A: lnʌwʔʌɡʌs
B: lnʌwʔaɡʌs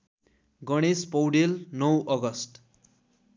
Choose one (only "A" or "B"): A